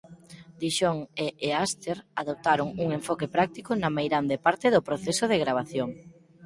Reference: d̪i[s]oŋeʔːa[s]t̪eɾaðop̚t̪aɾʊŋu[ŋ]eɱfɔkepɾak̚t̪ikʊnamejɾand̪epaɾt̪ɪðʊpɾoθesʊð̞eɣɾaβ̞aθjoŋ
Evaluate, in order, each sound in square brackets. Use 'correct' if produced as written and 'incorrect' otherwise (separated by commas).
incorrect, correct, correct